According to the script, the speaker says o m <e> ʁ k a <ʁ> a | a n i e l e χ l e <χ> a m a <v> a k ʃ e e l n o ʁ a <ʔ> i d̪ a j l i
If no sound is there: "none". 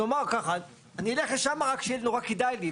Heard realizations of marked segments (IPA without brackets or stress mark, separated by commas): a, χ, ʃ, ʁ, k